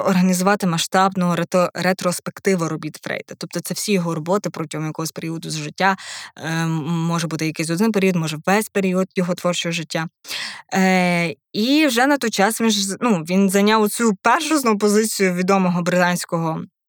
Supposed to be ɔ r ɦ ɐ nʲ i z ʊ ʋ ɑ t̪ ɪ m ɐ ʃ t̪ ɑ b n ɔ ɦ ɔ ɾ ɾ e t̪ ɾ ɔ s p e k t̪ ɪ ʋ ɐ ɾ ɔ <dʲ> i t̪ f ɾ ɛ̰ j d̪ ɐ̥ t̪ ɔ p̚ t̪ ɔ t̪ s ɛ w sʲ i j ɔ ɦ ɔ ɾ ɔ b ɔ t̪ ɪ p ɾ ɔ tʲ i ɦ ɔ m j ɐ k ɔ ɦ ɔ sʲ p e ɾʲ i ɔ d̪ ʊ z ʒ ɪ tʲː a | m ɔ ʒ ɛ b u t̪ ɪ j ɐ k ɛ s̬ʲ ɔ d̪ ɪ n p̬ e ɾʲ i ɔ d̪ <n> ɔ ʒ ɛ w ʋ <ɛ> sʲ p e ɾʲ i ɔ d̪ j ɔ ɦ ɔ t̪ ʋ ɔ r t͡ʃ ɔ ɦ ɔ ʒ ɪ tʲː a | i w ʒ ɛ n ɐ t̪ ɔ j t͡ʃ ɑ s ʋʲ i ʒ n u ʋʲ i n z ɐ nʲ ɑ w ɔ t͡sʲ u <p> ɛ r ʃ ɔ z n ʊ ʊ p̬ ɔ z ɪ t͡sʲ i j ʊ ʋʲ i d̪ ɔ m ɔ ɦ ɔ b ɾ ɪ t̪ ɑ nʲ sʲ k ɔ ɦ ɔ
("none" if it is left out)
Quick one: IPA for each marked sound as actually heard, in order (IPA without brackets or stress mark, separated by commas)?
bʲ, m, ɛ, p